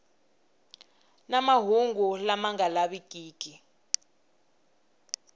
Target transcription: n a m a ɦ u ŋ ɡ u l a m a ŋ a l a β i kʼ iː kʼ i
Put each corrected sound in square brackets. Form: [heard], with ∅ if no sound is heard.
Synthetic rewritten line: n a m a ɦ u ŋ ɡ u l a m a ŋ a l a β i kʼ iː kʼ i